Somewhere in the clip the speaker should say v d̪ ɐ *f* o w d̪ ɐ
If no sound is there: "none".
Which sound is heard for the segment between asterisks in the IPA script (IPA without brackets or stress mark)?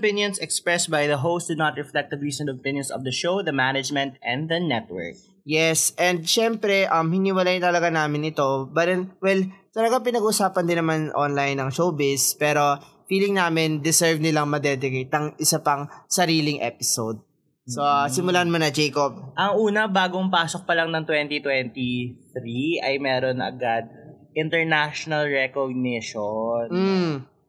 ʃ